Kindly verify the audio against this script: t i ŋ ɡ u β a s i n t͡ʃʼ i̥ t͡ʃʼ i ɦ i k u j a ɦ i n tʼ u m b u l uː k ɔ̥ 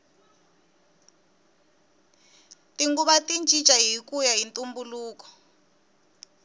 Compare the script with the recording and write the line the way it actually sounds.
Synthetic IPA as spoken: t i ŋ ɡ u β a t i n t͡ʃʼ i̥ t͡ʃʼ a ɦ i k u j a ɦ i n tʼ u m b u l uː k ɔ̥